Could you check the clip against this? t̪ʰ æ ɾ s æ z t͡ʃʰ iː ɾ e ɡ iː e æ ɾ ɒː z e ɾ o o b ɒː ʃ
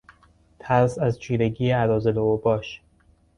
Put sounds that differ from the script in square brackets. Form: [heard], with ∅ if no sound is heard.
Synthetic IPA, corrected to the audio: t̪ʰ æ ɾ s æ z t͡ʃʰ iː ɾ e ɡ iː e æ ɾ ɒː z e [l] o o b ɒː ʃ